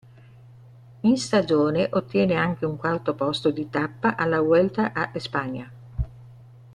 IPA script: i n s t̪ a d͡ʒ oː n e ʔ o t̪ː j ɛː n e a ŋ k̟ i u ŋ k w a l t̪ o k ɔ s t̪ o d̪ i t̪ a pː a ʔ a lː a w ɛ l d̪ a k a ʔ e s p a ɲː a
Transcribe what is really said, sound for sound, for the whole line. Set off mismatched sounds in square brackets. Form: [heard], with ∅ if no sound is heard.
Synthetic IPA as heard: i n s t̪ a d͡ʒ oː n e ʔ o t̪ː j ɛː n e a ŋ k̟ [e] u ŋ k w a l t̪ o [p] ɔ s t̪ o d̪ i t̪ a pː a ʔ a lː a w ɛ l [t̪] a [ʔ] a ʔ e s p a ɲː a